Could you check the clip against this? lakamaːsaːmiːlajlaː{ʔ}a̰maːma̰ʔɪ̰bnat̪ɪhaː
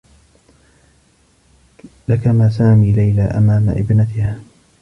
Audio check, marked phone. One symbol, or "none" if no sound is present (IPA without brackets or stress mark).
ʔ